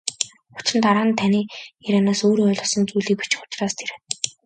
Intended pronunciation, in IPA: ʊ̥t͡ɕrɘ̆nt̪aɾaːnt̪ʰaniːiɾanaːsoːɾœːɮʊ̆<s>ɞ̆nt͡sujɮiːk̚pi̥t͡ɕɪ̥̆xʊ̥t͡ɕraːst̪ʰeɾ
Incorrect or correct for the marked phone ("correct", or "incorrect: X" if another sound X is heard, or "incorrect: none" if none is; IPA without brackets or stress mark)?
correct